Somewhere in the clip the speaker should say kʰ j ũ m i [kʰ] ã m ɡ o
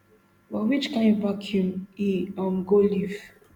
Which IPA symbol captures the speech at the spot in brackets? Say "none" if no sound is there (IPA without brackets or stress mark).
none